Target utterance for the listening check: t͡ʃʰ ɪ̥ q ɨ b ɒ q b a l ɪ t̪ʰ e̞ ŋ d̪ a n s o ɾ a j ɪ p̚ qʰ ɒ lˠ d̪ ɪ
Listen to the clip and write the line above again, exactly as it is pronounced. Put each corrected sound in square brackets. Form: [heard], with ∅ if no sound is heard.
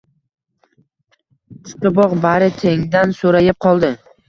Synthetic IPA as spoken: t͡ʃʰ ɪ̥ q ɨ b ɒ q b a [ɾ] ɪ t̪ʰ e̞ ŋ d̪ a n s o ɾ a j ɪ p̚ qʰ ɒ lˠ d̪ ɪ